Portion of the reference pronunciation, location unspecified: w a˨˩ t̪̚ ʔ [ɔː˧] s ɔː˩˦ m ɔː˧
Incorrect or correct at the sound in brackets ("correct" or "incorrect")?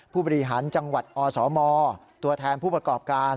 correct